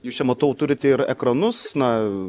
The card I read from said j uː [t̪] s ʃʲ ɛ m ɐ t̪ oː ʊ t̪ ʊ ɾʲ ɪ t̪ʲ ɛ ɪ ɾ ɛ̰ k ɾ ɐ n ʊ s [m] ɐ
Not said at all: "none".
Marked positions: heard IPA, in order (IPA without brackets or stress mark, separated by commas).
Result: none, n